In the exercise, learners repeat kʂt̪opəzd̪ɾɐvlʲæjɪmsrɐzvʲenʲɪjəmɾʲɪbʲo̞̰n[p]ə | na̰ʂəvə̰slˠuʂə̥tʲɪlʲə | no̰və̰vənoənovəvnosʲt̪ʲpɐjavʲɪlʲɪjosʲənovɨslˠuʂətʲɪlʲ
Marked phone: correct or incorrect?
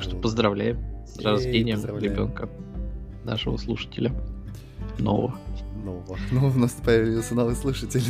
incorrect